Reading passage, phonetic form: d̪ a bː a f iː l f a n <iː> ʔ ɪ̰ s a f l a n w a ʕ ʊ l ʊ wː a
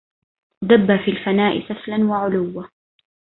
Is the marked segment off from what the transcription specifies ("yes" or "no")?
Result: yes